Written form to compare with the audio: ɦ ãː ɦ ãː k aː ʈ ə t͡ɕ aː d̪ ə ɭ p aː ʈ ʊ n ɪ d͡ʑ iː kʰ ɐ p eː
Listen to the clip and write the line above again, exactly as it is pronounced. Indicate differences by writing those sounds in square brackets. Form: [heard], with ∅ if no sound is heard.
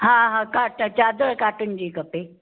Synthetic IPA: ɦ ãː ɦ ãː k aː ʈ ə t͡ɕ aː d̪ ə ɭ [k] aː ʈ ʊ n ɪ d͡ʑ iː [k] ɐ p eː